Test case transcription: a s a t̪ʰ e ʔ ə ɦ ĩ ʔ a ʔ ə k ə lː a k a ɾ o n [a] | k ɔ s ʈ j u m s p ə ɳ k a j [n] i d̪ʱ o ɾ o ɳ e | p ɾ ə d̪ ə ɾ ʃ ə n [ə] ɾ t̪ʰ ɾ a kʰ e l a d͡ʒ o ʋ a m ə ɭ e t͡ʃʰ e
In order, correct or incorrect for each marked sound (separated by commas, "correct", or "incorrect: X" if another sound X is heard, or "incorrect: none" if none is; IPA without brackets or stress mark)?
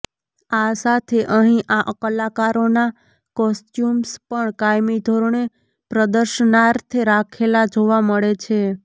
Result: correct, incorrect: m, incorrect: a